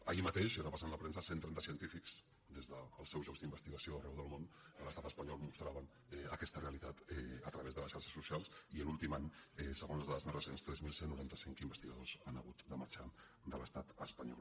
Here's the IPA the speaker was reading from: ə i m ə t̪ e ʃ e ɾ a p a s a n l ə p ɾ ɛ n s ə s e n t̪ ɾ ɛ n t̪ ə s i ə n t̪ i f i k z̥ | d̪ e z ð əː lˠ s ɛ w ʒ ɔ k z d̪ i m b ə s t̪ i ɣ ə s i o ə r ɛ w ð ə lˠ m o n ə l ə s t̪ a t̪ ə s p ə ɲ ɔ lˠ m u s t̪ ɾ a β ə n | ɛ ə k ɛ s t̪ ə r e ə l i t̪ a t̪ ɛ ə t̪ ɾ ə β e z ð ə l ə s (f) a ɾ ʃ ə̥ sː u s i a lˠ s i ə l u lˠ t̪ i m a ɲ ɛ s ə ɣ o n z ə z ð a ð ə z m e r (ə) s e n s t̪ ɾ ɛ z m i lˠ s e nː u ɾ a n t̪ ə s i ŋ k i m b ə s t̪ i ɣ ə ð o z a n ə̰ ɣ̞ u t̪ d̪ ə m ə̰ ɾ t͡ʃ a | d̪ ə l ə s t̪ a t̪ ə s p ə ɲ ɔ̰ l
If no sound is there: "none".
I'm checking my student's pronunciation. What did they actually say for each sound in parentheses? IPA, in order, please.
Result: ʃ, ə

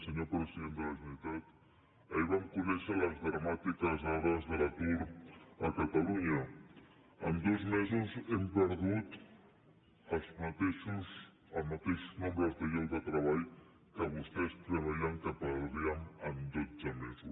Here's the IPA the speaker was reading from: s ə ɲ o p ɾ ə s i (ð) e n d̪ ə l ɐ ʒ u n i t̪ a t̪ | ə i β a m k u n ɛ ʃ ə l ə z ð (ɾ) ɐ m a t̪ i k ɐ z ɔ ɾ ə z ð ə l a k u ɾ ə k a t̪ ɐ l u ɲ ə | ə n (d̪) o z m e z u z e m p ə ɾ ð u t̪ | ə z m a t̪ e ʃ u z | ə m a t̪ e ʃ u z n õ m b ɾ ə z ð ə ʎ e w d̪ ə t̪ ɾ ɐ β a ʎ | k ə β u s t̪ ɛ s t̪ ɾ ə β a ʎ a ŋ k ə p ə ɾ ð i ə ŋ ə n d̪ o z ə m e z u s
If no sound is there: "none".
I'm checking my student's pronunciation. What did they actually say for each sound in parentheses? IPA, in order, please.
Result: ð, ɾ, d̪

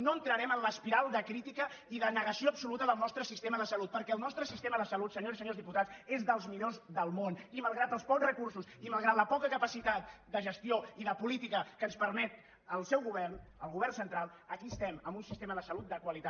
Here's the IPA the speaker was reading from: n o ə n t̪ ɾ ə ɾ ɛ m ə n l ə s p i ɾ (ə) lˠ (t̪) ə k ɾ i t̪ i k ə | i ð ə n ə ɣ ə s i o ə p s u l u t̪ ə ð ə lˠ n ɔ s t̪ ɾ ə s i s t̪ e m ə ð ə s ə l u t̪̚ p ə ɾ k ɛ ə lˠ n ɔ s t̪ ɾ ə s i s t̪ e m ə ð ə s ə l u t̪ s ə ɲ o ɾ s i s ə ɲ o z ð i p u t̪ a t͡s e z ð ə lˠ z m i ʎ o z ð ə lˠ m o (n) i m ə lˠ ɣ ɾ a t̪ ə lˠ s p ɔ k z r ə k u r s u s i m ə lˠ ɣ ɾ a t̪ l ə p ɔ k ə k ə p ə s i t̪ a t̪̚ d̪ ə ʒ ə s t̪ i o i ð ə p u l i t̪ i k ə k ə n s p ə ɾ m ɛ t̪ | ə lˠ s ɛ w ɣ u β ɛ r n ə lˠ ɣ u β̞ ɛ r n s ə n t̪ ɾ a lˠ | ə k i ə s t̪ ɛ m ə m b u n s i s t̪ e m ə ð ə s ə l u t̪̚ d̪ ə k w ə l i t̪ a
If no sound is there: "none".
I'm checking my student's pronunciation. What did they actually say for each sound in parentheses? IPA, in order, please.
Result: a, d̪, n

